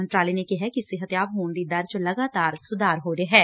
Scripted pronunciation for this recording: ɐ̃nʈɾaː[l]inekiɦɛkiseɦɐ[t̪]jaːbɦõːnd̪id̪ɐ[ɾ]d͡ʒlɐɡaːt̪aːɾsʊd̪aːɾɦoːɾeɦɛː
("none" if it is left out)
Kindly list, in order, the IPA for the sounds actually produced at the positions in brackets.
l, t̪, ɾ

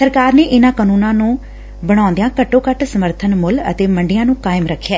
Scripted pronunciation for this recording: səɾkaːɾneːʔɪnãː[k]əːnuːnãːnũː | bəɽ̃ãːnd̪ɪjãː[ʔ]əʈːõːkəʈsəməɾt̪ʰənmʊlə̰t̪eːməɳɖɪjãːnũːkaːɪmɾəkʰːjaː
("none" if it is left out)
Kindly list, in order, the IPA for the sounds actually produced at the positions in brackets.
k, k

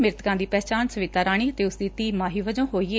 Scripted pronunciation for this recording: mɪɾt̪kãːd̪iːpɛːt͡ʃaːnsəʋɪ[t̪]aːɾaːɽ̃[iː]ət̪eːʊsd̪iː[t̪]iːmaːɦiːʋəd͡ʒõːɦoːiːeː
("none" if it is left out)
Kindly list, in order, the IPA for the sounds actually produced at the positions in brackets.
t̪, iː, t̪

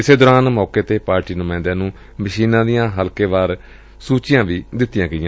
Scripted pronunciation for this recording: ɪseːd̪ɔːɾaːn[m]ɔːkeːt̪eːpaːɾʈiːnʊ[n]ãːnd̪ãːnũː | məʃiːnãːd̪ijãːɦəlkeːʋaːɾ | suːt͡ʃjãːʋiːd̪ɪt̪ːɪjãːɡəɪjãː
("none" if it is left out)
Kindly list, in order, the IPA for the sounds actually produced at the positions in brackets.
m, m

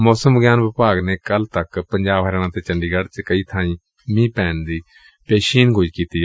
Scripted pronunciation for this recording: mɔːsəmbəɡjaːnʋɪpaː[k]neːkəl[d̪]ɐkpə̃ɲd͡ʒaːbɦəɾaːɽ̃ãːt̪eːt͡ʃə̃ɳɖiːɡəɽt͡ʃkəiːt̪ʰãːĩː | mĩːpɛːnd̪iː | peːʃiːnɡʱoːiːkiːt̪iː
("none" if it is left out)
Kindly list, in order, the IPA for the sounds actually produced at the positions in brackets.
ɡ, t̪

